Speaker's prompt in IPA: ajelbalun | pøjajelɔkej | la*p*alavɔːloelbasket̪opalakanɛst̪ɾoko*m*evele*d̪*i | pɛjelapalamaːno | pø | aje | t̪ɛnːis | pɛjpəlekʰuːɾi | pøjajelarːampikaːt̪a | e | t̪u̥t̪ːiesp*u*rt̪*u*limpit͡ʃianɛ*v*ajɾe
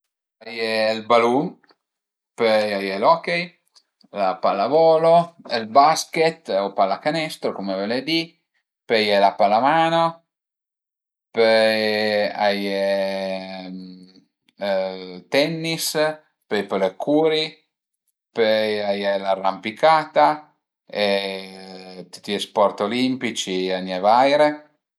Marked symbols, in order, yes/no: yes, yes, yes, no, no, yes

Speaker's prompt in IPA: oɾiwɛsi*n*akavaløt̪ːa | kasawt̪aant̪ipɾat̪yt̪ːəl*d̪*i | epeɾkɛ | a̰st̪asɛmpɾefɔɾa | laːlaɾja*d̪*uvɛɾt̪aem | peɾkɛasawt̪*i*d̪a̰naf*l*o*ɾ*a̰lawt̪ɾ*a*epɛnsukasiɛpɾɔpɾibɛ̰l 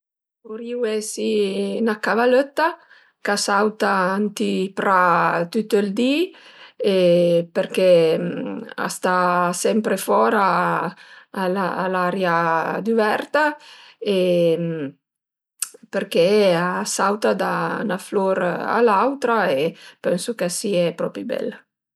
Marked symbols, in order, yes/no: yes, yes, yes, no, yes, yes, yes

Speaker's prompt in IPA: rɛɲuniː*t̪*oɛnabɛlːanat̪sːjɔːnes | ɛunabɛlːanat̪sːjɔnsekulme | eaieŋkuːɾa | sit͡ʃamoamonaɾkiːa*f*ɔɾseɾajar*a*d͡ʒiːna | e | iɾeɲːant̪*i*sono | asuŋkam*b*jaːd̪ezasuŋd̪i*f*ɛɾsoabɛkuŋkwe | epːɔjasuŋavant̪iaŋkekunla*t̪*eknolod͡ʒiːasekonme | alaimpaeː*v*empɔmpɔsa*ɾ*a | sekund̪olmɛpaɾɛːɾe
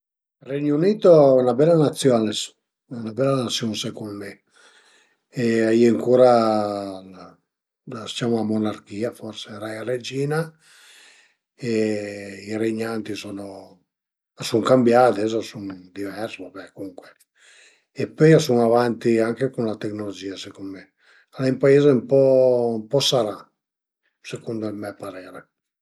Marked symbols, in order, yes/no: yes, yes, no, yes, yes, no, yes, no, yes

